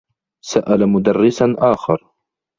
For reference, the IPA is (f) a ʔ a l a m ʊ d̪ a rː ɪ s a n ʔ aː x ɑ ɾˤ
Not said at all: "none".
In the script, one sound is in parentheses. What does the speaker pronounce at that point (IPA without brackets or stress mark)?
s